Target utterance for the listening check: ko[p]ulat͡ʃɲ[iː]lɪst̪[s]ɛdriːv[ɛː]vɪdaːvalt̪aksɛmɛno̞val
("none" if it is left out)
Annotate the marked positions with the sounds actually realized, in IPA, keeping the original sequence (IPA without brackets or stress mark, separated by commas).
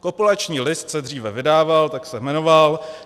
p, iː, s, ɛ